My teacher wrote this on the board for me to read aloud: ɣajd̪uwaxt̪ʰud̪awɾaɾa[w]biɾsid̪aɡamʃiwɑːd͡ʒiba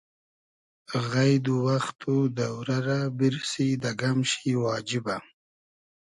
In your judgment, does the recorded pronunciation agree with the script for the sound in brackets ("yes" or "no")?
no